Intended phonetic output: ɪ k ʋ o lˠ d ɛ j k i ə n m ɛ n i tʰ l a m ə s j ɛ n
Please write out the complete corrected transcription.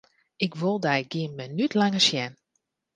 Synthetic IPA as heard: ɪ k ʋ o lˠ d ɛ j ɡ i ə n m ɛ n y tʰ l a ŋ ə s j ɛ n

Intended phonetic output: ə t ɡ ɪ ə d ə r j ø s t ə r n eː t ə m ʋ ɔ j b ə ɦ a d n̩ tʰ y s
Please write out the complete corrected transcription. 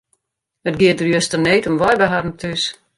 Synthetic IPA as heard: ə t ɡ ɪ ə d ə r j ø s t ə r n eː t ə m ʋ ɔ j b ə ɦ a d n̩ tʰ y s

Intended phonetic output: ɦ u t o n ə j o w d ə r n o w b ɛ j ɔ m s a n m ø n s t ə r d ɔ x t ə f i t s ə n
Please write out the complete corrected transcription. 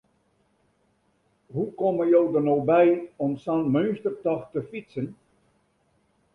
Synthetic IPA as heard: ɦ u k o m ə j o w d ə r n o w b ɛ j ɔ m s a n m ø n s t ə r t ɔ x t ə f i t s ə n

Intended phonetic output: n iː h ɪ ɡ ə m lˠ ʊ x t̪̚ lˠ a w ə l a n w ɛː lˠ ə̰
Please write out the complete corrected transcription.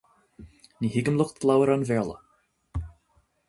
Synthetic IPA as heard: n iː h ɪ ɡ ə m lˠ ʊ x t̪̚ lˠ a w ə ɾ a n v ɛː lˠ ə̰

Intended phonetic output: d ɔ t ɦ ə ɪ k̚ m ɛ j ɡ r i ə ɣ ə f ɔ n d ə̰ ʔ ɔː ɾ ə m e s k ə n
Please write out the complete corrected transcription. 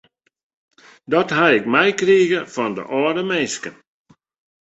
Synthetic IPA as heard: d ɔ t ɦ a ɪ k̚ m ɛ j k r i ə ɣ ə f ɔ n d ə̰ ʔ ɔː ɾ ə m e s k ə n

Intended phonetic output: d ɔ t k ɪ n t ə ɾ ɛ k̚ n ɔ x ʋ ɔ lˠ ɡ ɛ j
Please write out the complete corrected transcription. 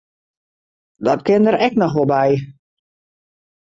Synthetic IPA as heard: d ɔ t k ɪ n d ə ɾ ɛ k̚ n ɔ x ʋ ɔ lˠ b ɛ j

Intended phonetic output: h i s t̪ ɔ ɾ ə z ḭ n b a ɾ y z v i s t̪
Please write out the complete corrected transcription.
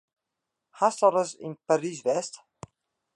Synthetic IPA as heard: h a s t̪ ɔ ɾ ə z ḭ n p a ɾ i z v ɛ s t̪

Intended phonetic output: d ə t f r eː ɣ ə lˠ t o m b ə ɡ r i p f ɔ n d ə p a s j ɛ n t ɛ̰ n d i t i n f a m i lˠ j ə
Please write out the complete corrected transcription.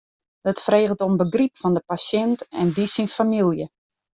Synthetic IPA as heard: d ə t f r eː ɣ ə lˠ t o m b ə ɡ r i p f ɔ n d ə p a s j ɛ n t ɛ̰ n d i s i n f a m i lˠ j ə

